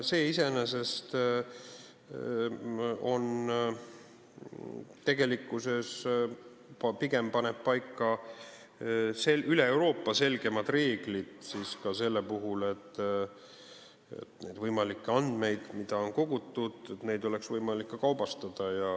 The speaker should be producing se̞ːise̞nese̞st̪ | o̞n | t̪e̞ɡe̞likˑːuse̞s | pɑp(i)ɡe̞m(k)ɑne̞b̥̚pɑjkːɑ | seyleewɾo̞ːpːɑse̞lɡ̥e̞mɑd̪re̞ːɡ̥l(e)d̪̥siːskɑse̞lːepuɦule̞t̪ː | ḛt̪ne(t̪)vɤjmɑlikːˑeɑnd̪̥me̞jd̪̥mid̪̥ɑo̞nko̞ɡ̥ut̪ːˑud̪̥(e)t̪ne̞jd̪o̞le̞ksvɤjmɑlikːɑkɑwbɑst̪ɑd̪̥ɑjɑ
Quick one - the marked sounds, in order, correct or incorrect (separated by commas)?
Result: correct, incorrect, incorrect, incorrect, correct